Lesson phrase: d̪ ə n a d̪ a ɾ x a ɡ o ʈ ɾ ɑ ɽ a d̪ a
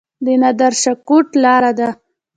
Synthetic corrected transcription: d̪ ə n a d̪ a ɾ ʃ a k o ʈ l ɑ ɾ a d̪ a